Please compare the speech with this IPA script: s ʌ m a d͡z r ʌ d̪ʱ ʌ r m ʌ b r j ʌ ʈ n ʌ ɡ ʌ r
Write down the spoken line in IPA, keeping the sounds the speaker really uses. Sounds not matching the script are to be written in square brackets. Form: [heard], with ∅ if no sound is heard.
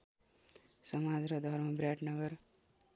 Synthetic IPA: s ʌ m a d͡z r ʌ d̪ʱ ʌ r m ʌ b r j [a] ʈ n ʌ ɡ ʌ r